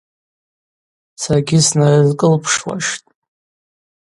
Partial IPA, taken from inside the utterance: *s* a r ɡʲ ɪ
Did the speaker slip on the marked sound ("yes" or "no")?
no